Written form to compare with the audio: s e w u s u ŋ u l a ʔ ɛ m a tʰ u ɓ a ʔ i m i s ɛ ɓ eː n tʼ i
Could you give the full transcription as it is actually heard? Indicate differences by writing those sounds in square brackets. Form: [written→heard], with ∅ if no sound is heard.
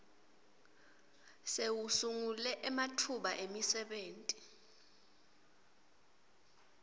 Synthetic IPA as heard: s e w u s u ŋ u l [a→ɛ] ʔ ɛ m a tʰ u ɓ a ʔ [i→e] m i s ɛ ɓ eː n tʼ i